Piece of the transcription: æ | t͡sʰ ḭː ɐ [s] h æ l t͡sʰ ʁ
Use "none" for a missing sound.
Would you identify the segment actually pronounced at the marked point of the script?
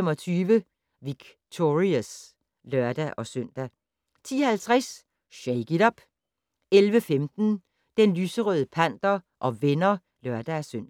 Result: none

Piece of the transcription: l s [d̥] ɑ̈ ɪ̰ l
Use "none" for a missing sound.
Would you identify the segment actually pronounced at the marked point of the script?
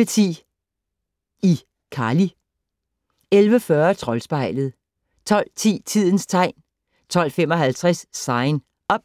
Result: b̥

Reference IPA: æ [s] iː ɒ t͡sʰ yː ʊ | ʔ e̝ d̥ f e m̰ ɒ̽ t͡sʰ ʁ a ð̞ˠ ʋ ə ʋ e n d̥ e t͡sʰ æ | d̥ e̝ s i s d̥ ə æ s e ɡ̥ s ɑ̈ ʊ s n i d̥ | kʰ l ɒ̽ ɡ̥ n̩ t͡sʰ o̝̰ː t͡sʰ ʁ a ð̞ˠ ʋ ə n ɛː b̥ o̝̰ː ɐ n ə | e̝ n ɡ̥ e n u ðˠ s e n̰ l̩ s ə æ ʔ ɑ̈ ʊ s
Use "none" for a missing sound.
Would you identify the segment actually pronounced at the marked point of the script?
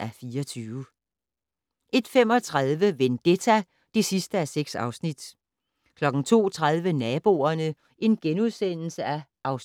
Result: f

